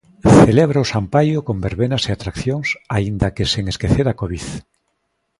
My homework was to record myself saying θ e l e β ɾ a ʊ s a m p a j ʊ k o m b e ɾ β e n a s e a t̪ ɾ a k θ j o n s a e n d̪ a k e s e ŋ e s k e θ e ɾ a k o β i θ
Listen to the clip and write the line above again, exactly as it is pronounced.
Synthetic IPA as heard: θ e l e β ɾ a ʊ s a m p a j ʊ k o m b e ɾ β e n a s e a t̪ ɾ a k θ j o ŋ s a i n d̪ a k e s e ŋ e s k e θ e ɾ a k o β i θ